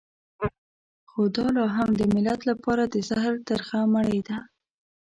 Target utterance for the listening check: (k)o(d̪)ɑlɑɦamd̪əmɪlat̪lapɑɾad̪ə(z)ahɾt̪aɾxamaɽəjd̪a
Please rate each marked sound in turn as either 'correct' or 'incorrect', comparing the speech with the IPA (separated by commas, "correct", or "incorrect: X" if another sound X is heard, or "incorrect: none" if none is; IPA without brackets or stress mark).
incorrect: x, correct, correct